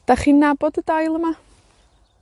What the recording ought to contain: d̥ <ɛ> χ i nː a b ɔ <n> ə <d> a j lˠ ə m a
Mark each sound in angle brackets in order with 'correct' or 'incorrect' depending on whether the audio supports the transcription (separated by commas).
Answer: incorrect, incorrect, correct